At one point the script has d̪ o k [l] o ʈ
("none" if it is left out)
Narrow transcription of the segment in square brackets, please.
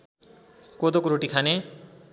ɾ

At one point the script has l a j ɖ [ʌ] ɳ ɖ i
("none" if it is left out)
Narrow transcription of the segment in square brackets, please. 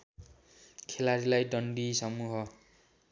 ʌ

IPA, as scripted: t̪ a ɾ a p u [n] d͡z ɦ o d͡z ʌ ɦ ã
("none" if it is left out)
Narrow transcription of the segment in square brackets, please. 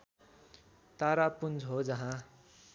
n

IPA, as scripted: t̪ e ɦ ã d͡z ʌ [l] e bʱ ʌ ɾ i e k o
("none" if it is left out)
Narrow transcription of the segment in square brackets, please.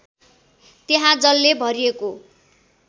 lː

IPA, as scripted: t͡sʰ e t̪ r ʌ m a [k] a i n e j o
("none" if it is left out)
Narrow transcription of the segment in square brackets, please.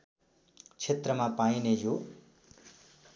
p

